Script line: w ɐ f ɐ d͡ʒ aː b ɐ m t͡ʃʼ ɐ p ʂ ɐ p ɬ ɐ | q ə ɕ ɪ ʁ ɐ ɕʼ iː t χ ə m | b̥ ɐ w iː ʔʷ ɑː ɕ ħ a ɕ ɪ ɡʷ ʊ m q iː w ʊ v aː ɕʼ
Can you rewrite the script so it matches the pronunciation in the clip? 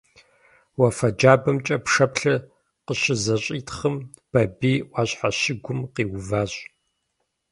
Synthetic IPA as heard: w ɐ f ɐ d͡ʒ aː b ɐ m t͡ʃʼ ɐ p ʂ ɐ p ɬ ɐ | q ə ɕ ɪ z ɐ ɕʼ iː t χ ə m | b̥ ɐ b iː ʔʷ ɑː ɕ ħ a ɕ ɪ ɡʷ ʊ m q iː w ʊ v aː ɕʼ